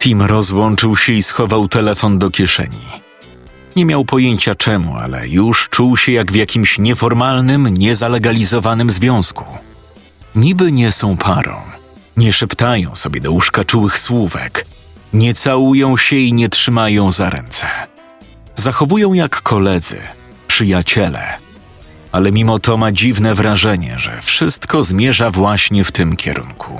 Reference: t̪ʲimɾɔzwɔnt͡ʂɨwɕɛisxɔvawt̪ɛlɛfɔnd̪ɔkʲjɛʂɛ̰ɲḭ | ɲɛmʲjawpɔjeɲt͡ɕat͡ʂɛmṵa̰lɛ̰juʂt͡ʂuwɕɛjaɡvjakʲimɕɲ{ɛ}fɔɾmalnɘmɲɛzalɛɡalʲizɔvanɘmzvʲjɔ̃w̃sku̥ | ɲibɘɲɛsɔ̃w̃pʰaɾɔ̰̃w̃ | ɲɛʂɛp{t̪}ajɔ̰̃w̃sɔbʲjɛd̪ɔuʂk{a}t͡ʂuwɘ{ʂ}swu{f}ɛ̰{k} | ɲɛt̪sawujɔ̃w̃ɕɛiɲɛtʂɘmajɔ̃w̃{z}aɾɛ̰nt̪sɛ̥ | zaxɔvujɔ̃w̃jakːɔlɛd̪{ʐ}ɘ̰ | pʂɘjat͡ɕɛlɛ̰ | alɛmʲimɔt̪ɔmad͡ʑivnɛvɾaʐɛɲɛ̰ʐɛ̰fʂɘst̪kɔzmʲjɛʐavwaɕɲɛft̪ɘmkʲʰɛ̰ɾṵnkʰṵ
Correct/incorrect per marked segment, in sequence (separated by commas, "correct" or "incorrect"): correct, correct, correct, incorrect, incorrect, correct, correct, incorrect